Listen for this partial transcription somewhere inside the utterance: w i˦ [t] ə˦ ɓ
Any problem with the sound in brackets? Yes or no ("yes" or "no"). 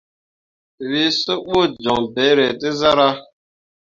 yes